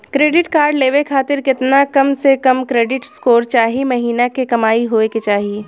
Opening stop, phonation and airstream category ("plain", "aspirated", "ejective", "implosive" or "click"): plain